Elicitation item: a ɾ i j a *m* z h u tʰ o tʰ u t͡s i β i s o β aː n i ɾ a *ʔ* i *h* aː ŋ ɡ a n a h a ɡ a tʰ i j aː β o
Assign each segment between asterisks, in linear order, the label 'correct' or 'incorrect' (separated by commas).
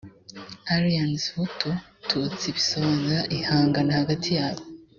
incorrect, correct, correct